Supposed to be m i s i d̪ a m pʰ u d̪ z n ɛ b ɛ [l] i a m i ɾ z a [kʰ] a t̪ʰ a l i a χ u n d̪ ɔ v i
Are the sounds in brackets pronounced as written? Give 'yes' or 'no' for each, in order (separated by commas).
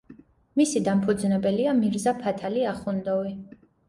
yes, no